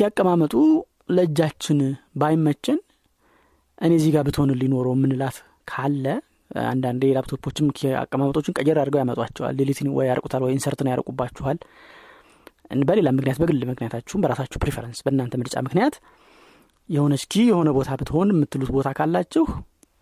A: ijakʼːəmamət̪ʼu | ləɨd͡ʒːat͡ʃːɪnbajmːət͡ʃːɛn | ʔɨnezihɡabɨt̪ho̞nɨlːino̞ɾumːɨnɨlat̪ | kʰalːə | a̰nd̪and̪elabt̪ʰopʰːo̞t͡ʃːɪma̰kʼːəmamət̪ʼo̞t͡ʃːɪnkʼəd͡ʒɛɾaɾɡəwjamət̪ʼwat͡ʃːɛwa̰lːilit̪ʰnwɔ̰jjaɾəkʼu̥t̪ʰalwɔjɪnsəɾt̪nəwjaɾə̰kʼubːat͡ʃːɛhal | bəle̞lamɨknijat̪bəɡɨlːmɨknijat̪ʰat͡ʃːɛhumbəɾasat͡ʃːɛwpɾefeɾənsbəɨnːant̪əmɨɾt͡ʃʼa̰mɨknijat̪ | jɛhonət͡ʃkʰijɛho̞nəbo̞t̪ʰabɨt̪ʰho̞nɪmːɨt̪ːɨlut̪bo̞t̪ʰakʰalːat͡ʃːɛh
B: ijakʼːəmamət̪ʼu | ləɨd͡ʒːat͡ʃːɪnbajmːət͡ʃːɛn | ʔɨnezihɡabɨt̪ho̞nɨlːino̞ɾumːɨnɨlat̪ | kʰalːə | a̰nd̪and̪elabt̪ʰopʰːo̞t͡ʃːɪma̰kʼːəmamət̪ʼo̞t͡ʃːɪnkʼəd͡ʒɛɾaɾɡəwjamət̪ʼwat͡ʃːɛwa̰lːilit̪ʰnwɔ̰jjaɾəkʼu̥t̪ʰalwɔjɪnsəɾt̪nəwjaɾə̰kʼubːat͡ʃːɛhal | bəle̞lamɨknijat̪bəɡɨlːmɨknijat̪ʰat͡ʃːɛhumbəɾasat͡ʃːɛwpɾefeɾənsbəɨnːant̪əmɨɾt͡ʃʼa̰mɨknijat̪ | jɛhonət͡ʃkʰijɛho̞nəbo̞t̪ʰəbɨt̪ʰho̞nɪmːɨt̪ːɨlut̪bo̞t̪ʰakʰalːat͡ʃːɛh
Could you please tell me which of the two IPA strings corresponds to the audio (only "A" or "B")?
A